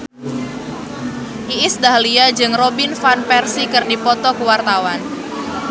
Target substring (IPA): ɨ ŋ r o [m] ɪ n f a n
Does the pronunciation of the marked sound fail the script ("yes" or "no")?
yes